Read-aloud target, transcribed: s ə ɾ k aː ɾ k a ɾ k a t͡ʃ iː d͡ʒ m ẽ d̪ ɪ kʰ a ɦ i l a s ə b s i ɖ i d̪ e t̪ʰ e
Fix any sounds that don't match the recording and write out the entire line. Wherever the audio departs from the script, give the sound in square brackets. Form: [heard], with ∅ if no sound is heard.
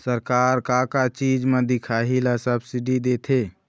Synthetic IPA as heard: s ə ɾ k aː ɾ k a ɾ k a t͡ʃ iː d͡ʒ m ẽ d̪ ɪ kʰ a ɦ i l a s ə b s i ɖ i d̪ e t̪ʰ e